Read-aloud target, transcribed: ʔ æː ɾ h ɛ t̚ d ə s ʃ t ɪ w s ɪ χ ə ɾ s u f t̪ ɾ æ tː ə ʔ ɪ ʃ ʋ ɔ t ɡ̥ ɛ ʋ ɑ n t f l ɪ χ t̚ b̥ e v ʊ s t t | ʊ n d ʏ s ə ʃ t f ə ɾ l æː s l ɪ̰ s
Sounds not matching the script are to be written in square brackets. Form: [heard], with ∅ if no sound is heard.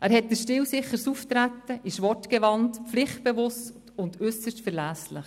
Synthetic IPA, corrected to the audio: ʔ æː ɾ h ɛ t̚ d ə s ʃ t ɪ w s ɪ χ ə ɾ s u f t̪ ɾ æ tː ə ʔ ɪ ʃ ʋ ɔ t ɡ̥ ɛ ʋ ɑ n t f l ɪ χ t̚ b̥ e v ʊ s t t | ʊ n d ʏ s ə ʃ t f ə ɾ l æː s l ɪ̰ [χ]

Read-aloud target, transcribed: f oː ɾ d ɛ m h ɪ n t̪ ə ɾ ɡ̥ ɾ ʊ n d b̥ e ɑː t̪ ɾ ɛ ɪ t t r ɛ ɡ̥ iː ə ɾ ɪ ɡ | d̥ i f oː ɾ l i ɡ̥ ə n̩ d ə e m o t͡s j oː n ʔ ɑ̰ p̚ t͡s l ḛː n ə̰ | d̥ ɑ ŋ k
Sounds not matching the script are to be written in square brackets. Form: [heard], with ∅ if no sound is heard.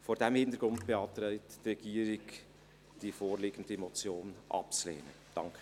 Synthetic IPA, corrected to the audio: f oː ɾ d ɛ m h ɪ n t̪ ə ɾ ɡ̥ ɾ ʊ n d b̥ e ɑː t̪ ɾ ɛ ɪ t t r ɛ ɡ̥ iː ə ɾ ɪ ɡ | d̥ i f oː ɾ l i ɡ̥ ə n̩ d ə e m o t͡s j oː n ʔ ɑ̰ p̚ t͡s l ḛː n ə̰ | d̥ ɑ ŋ k

